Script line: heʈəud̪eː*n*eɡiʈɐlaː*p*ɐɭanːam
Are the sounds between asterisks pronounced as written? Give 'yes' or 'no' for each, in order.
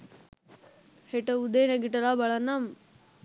yes, no

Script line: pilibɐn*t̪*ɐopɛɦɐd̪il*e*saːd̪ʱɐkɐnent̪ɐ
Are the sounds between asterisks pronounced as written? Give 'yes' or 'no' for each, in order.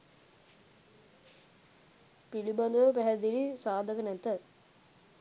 no, no

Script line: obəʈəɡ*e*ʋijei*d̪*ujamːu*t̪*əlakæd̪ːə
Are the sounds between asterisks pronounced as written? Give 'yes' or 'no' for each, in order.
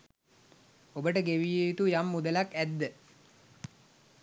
yes, no, no

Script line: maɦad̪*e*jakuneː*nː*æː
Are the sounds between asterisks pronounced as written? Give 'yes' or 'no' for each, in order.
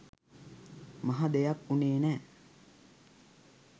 yes, no

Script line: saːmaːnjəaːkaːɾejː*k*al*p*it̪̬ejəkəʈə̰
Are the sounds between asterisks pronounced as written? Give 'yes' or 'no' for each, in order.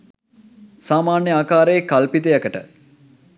yes, yes

